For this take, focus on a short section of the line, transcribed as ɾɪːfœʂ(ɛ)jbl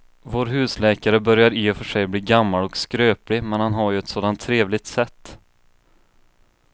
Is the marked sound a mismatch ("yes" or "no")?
no